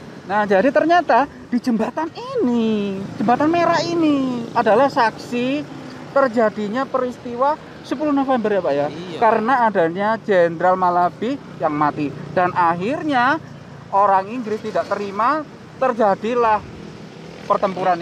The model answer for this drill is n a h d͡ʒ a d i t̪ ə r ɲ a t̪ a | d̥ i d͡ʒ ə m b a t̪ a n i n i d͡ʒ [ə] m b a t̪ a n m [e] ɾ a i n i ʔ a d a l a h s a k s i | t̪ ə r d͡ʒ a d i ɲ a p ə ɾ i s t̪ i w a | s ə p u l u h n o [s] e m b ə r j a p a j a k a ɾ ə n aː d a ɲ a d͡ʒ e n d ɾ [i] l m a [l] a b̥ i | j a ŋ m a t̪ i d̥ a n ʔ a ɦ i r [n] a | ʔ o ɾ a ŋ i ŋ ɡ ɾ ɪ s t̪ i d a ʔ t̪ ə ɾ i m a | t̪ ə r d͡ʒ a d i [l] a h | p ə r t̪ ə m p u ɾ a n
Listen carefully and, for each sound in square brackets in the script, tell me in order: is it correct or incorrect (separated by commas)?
correct, correct, incorrect, incorrect, correct, incorrect, correct